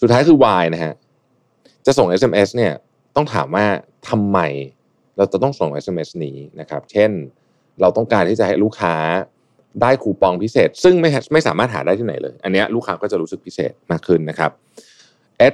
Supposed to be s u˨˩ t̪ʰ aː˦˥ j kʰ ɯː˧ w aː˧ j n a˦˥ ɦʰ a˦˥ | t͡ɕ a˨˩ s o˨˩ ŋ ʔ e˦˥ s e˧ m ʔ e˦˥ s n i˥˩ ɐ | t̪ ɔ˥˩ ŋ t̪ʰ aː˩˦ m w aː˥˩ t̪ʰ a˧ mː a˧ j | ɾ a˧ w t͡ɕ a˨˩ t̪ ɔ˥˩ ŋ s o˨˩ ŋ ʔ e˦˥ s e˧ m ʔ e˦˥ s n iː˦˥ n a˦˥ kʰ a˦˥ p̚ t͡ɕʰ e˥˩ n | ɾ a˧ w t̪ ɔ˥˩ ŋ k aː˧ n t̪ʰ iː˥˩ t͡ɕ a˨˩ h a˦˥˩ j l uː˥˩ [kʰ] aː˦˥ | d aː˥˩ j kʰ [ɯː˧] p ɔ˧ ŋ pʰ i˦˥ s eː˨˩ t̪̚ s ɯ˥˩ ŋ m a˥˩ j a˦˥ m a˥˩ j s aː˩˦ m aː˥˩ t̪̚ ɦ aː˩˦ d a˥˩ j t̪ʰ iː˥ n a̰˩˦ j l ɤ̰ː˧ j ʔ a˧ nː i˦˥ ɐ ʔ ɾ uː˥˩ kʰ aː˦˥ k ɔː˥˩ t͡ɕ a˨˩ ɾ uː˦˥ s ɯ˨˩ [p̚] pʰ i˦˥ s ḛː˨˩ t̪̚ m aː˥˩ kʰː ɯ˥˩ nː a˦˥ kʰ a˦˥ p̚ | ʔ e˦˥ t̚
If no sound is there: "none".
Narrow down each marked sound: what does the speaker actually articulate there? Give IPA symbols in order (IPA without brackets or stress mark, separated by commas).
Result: kʰ, uː˧, k̚